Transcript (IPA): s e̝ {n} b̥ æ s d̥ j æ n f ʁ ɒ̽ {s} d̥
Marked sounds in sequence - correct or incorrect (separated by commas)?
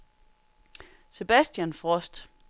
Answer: incorrect, correct